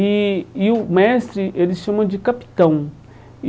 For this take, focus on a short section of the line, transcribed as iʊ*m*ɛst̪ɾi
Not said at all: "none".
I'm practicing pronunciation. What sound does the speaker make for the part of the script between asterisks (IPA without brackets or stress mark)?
m